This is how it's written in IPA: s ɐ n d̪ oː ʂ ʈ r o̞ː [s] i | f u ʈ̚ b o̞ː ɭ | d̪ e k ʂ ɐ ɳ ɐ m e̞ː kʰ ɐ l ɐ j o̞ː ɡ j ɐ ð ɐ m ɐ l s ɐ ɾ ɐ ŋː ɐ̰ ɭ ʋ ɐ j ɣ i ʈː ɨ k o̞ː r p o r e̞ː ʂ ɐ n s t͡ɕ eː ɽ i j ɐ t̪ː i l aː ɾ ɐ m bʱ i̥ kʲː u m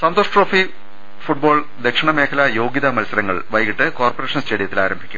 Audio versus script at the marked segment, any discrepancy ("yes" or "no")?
yes